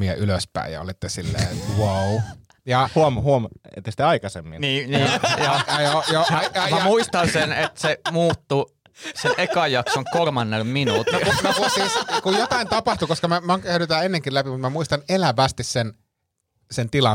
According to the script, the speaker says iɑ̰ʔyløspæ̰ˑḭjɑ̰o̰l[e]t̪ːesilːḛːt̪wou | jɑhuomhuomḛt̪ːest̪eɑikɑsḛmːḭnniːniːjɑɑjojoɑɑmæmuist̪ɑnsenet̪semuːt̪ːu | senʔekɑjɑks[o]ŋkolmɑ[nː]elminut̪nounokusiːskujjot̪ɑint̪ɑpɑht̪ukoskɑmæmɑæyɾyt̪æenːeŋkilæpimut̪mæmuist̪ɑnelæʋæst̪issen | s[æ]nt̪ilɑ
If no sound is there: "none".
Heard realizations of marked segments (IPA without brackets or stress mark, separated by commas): i, o, nː, e